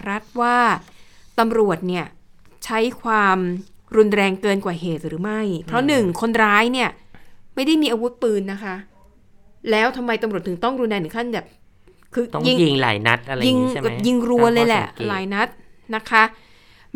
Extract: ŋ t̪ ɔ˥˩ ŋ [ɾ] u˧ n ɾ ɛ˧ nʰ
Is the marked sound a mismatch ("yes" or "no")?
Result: no